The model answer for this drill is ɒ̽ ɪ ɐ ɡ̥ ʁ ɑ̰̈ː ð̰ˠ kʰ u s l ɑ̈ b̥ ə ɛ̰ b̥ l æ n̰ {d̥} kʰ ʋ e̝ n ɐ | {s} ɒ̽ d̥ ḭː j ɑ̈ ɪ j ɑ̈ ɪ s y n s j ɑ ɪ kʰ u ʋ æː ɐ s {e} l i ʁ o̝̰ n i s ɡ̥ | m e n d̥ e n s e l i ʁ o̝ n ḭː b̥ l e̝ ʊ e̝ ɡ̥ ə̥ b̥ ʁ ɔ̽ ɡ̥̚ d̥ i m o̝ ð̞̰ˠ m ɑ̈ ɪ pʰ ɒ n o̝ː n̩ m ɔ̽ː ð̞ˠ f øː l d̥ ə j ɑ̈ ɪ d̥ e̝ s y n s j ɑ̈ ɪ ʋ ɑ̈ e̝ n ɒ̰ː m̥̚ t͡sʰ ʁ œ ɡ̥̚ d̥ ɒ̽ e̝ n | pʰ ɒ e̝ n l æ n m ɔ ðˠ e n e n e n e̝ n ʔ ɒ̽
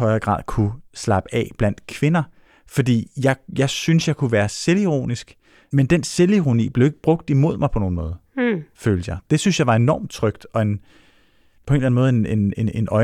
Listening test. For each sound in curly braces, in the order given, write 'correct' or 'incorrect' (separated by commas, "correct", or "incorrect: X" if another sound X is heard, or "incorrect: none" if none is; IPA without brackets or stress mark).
correct, incorrect: f, correct